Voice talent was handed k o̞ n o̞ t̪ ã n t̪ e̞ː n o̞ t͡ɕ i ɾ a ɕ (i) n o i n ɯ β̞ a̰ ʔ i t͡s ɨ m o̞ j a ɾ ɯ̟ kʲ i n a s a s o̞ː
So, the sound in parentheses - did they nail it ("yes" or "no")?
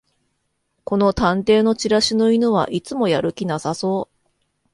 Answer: yes